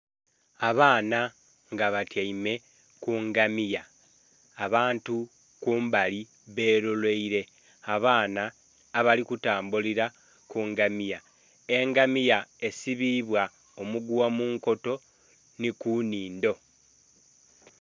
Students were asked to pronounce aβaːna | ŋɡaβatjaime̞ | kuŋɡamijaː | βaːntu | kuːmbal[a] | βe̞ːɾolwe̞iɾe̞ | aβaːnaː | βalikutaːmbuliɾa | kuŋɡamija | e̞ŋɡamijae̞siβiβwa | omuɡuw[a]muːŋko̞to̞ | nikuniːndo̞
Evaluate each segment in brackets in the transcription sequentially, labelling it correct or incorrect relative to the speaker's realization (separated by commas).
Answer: incorrect, correct